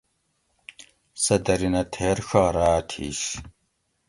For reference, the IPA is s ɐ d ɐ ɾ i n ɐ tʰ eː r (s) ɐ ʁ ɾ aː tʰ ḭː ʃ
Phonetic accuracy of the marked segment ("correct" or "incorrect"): incorrect